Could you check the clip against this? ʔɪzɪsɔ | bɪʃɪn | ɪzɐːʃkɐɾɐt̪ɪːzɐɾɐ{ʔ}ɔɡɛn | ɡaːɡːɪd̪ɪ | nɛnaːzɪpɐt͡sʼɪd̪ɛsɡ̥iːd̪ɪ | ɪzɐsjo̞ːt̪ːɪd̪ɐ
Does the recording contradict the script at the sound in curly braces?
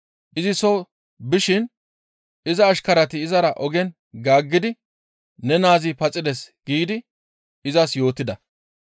no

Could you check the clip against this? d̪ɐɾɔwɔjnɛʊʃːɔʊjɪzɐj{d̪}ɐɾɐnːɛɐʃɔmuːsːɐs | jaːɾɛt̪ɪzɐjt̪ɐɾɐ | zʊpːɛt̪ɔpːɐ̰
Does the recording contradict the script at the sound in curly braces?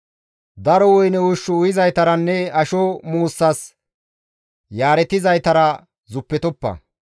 yes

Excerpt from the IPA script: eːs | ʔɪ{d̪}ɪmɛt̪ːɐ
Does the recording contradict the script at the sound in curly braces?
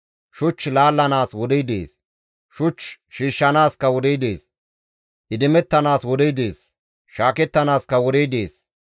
no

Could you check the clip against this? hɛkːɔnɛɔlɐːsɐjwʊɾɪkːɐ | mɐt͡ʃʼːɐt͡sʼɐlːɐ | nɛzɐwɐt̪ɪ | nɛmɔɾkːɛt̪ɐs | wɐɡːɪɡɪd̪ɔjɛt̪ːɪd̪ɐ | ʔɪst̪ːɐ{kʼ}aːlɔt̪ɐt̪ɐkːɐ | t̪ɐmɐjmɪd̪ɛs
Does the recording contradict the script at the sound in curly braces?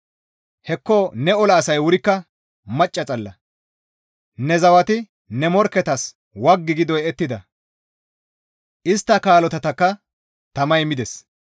yes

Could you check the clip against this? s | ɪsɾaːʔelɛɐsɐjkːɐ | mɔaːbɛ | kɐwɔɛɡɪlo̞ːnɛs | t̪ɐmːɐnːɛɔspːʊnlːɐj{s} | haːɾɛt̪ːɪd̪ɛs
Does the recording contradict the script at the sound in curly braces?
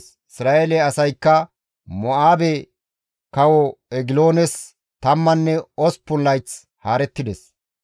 yes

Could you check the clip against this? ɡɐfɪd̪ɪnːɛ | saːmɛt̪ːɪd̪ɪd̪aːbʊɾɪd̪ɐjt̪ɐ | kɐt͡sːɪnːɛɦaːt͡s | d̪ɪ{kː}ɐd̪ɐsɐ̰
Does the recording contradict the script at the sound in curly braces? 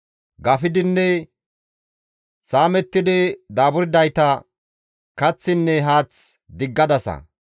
yes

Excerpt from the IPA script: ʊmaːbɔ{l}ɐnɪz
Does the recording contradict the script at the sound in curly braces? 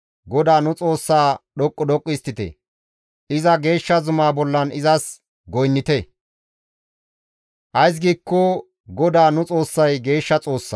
yes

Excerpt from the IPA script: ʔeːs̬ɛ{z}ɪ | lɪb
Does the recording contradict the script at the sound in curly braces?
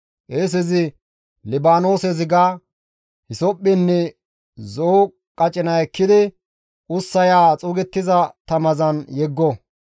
no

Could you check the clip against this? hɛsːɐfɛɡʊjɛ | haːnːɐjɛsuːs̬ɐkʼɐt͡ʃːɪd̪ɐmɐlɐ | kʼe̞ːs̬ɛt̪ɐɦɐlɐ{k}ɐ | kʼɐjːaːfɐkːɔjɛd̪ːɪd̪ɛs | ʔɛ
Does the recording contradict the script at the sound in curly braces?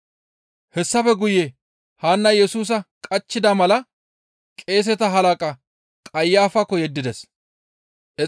yes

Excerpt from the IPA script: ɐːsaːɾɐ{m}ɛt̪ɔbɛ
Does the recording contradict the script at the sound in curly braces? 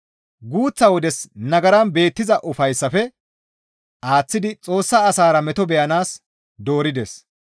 no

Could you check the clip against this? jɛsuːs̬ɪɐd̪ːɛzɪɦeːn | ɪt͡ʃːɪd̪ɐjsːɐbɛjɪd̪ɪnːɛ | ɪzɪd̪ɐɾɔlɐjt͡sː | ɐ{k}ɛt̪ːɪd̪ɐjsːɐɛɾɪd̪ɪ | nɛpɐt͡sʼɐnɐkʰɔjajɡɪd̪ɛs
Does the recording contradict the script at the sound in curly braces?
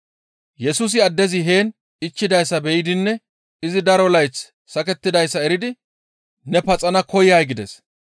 no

